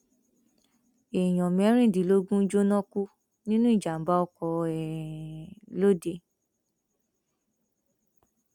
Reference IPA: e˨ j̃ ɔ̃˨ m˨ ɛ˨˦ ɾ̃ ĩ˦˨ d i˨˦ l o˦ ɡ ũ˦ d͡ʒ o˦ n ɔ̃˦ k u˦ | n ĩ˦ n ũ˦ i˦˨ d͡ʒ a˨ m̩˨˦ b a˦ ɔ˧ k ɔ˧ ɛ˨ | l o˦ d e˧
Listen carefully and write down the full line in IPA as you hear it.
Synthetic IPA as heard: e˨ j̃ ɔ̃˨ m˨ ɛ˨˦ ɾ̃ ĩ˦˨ d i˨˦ l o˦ ɡ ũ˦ d͡ʒ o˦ n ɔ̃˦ k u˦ | n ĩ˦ n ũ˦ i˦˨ d͡ʒ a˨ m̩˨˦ b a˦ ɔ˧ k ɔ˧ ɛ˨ | l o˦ d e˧

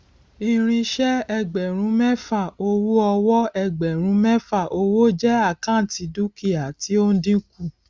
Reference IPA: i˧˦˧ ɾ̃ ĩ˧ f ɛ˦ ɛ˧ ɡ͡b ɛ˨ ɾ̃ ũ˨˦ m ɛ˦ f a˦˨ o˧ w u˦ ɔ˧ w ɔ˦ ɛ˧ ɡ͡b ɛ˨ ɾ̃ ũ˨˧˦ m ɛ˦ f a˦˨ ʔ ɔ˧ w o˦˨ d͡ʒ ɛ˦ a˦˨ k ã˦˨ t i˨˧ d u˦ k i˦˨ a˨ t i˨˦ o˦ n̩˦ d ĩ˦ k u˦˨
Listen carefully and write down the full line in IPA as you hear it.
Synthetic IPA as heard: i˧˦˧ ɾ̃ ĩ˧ ʃ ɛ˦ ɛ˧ ɡ͡b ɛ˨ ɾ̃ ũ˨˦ m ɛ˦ f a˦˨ o˧ w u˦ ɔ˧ w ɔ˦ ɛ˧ ɡ͡b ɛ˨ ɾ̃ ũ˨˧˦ m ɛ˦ f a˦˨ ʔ o˧ w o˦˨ d͡ʒ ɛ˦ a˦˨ k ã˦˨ t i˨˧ d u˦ k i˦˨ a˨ t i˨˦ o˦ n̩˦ d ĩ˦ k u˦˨

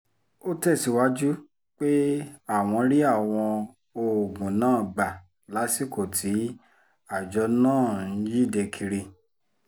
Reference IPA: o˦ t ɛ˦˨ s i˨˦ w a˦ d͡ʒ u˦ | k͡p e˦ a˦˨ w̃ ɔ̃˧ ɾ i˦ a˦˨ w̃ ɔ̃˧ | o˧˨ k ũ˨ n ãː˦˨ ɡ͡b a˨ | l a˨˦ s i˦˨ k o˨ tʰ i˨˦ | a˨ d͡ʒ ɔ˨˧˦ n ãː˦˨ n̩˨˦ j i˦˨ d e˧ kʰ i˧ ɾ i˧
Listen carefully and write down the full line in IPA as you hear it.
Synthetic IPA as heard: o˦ t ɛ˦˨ s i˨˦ w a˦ d͡ʒ u˦ | k͡p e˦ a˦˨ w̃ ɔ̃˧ ɾ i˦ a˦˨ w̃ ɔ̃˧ | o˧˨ ɡ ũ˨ n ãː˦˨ ɡ͡b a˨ | l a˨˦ s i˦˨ k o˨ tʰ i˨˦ | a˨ d͡ʒ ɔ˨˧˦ n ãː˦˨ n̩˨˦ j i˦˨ d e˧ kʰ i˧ ɾ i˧

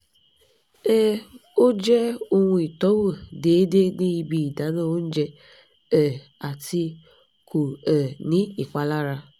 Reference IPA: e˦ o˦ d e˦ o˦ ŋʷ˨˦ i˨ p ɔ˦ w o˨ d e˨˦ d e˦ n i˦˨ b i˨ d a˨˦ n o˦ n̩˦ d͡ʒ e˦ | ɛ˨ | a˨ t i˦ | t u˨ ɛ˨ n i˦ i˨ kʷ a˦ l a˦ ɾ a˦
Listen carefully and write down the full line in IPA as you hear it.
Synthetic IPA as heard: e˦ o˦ d͡ʒ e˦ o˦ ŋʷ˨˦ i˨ t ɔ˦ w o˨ d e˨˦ d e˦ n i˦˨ b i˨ d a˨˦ n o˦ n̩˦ d͡ʒ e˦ | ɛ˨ | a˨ t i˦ | k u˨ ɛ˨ n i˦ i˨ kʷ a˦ l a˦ ɾ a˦

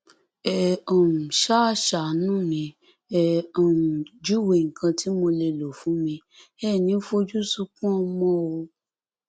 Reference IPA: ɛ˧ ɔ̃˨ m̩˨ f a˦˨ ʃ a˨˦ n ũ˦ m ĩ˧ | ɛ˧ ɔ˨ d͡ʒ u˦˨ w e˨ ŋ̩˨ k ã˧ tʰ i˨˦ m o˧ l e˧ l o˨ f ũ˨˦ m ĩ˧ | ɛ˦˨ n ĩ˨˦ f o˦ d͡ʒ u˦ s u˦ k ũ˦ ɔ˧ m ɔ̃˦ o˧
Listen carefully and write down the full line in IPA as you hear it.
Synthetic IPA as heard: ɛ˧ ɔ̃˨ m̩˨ ʃ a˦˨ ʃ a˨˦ n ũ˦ m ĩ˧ | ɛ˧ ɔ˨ d͡ʒ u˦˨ w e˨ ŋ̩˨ k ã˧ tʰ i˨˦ m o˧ l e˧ l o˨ f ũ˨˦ m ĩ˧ | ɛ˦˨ n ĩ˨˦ f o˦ d͡ʒ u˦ s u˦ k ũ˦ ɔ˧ m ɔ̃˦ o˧

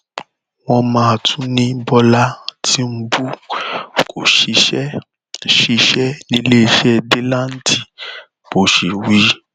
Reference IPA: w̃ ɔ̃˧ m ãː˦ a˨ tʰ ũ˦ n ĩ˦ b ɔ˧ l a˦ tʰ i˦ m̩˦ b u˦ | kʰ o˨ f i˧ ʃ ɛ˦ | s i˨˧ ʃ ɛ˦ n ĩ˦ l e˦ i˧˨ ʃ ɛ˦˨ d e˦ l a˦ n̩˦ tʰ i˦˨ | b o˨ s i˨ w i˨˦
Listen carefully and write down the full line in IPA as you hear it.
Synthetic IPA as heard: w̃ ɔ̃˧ m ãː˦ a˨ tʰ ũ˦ n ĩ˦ b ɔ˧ l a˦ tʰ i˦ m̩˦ b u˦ | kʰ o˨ ʃ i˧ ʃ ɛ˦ | ʃ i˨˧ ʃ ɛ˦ n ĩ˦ l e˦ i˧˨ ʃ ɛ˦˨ d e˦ l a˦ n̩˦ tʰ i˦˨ | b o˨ ʃ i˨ w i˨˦

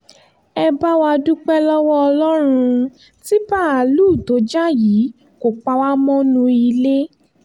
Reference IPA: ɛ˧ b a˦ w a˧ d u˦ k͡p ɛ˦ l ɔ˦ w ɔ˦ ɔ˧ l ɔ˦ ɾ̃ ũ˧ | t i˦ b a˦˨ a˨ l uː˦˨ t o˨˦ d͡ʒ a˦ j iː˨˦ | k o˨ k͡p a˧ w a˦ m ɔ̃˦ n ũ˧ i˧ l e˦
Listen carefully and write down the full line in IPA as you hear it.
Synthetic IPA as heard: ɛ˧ b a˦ w a˧ d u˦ k͡p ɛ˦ l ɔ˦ w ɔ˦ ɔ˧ l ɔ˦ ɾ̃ ũ˧ | t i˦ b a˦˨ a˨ l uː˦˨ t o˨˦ d͡ʒ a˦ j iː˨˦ | k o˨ k͡p a˧ w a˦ m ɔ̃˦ n ũ˧ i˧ l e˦

